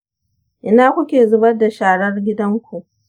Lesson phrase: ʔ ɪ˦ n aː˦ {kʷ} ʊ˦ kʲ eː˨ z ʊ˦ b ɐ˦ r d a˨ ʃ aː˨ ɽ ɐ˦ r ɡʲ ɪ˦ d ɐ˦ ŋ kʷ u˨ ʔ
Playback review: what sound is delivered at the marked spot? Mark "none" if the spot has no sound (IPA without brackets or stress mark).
kʷ